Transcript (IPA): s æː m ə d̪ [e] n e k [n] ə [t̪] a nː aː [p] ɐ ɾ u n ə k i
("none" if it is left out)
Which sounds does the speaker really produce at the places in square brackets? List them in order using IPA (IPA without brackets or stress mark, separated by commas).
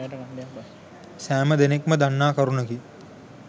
e, m, d̪, k